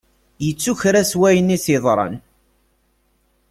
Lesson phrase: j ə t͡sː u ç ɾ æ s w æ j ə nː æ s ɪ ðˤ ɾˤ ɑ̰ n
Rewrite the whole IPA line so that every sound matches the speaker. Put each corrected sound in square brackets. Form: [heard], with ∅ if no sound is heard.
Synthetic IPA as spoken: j ə t͡sː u ç ɾ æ s w æ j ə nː [i] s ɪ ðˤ ɾˤ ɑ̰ n